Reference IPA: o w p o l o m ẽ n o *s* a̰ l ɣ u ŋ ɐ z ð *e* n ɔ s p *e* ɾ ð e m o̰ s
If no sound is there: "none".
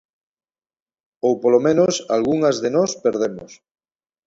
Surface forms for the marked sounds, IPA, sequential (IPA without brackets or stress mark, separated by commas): s, e, e